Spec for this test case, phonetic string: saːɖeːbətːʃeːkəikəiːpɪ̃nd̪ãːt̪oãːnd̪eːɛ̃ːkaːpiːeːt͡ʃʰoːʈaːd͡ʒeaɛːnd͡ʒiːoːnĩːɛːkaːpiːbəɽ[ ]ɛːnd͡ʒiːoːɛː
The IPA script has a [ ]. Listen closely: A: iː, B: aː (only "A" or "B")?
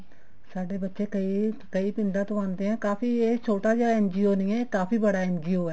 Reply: B